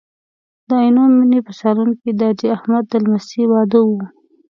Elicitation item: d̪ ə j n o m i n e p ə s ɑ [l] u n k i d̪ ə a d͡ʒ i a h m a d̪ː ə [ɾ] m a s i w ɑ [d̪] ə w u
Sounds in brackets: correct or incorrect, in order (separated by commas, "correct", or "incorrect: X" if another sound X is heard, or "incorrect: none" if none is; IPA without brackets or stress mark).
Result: incorrect: ɾ, incorrect: l, correct